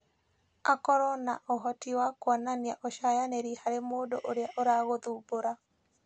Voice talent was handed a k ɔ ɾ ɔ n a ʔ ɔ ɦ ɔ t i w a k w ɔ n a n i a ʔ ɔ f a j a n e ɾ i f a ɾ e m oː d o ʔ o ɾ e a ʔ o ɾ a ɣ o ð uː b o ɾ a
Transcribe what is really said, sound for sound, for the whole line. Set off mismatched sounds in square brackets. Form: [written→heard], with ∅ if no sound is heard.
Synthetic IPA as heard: a k ɔ ɾ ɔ n a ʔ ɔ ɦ ɔ t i w a k w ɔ n a n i a ʔ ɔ [f→ʃ] a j a n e ɾ i [f→h] a ɾ e m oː d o ʔ o ɾ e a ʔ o ɾ a ɣ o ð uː b o ɾ a